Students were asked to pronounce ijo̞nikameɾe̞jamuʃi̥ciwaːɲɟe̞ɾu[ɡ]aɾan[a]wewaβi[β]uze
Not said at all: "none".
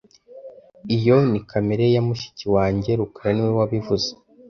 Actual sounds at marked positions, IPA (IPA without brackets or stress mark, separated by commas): k, i, v